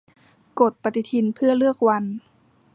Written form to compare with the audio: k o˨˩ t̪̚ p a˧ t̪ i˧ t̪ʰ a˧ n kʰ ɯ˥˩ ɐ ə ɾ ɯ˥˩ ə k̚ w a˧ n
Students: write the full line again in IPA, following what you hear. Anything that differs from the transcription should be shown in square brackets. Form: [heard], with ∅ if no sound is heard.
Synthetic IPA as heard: k o˨˩ t̪̚ p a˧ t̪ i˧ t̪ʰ [i˧] n [pʰ] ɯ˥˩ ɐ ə [l] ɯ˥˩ ə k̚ w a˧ n